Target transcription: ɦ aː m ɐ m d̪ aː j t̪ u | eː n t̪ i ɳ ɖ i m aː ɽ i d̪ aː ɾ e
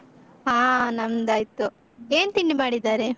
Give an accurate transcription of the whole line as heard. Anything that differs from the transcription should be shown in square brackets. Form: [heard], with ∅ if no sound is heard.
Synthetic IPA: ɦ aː [n] ɐ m d̪ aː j t̪ u | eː n t̪ i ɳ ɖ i m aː ɽ i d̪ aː ɾ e